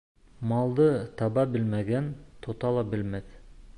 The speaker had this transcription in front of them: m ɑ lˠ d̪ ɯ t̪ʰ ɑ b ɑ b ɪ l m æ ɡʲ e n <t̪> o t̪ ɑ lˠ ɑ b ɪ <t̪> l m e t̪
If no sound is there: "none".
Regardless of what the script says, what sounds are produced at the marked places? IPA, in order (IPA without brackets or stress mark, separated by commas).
t̪ʰ, none